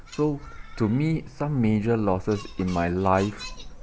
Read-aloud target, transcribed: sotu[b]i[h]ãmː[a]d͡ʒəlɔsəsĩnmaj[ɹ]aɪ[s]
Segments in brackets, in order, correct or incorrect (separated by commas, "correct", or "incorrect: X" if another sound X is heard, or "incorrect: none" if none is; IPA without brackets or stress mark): incorrect: m, incorrect: s, incorrect: e, incorrect: l, incorrect: f